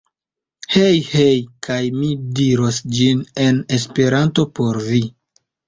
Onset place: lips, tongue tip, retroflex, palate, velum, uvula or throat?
throat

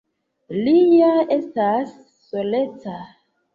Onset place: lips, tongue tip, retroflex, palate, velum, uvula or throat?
tongue tip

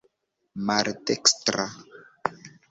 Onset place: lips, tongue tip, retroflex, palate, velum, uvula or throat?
lips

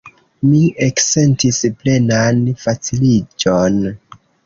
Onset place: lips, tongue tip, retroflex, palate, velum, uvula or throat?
lips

